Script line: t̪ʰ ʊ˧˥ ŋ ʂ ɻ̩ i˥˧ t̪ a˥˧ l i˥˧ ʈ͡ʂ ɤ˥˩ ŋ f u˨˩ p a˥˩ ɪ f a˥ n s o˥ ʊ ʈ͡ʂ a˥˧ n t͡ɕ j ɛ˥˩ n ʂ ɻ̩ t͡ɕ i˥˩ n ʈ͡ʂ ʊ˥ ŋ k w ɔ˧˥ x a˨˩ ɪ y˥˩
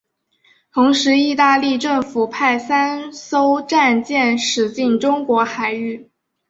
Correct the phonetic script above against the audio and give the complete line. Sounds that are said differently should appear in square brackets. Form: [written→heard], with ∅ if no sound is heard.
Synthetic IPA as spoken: t̪ʰ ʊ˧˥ ŋ ʂ ɻ̩ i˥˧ t̪ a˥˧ l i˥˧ ʈ͡ʂ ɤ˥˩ ŋ f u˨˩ [p→pʰ] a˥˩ ɪ [f→s] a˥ n s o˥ ʊ ʈ͡ʂ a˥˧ n t͡ɕ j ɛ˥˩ n ʂ ɻ̩ t͡ɕ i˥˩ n ʈ͡ʂ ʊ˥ ŋ k w ɔ˧˥ x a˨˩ ɪ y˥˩